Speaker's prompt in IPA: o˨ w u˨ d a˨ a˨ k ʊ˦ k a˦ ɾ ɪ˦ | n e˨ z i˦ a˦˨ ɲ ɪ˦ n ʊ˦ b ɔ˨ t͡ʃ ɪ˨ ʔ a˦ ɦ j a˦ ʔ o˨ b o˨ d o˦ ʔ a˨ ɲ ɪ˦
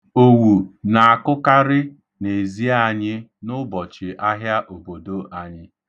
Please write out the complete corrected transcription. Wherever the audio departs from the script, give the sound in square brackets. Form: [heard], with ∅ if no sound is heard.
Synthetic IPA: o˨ w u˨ [n] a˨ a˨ k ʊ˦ k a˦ ɾ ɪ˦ | n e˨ z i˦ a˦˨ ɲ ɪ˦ n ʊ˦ b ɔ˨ t͡ʃ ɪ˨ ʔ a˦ ɦ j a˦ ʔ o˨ b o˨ d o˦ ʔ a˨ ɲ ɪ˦